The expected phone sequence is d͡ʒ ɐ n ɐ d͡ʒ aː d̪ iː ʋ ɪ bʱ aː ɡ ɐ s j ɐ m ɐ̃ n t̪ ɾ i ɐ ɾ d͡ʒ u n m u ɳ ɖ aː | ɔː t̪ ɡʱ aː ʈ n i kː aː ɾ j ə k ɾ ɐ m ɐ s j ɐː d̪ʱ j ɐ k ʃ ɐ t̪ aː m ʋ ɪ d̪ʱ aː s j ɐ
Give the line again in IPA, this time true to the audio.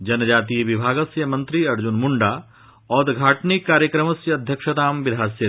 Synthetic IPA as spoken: d͡ʒ ɐ n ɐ d͡ʒ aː t̪ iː ʋ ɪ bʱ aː ɡ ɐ s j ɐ m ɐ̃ n t̪ ɾ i ɐ ɾ d͡ʒ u n m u ɳ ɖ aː | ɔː d̪ ɡʱ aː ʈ n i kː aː ɾ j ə k ɾ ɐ m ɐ s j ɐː d̪ʱ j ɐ k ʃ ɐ t̪ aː m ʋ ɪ d̪ʱ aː s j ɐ